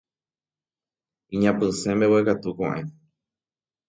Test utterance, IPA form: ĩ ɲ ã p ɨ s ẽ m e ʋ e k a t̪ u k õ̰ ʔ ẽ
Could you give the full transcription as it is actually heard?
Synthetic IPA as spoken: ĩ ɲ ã p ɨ s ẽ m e w e k a t̪ u k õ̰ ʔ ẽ